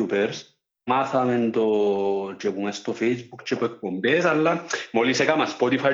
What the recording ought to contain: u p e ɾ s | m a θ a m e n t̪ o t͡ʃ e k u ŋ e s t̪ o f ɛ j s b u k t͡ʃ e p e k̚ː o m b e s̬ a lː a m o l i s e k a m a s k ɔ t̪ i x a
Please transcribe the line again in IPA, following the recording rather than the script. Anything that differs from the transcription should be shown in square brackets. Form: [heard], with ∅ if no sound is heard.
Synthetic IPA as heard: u p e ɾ s | m a θ a m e n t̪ o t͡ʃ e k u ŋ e s t̪ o f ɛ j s b u k t͡ʃ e p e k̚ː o m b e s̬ a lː a m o l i s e k a m a s [p] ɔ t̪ i [f] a